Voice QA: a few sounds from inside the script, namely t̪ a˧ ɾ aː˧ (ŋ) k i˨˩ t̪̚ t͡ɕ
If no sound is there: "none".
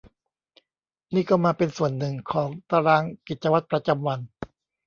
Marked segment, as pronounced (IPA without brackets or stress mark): ŋ